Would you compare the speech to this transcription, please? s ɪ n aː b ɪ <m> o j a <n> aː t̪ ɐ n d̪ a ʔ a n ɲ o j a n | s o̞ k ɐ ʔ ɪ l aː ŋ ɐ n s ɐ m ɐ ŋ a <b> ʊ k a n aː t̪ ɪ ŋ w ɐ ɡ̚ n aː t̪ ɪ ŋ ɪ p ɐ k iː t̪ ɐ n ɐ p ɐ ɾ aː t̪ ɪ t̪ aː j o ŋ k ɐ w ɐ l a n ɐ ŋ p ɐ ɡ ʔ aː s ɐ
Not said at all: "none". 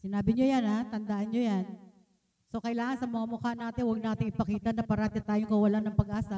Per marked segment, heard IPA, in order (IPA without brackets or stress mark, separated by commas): ɲ, n, m